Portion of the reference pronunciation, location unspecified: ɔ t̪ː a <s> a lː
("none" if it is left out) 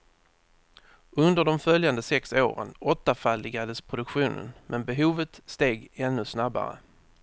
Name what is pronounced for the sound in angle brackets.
f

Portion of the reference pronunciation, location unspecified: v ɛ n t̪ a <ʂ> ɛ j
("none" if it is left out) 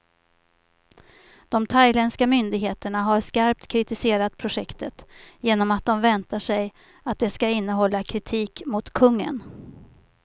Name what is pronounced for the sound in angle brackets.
ʂ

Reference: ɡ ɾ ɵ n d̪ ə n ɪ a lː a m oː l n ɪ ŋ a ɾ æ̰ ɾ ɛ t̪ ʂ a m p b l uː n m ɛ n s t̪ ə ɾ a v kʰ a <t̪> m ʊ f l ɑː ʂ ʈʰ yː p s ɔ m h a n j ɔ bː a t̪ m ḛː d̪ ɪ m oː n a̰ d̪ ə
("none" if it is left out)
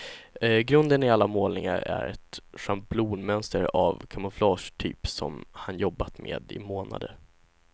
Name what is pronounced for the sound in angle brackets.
none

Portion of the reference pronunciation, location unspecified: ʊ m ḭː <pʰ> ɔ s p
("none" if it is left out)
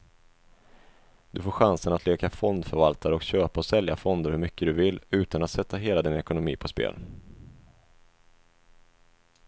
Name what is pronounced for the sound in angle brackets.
pʰ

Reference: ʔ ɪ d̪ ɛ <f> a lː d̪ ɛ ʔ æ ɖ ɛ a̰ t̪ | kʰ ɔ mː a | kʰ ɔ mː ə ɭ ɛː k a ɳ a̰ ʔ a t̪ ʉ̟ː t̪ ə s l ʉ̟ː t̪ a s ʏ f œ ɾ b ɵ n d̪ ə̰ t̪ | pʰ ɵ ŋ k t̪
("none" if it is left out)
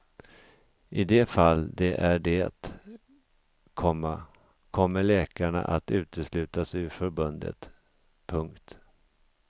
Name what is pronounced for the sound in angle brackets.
f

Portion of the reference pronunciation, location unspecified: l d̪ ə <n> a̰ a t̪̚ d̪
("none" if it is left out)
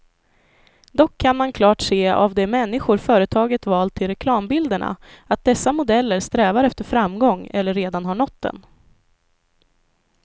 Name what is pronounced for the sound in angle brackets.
ɳ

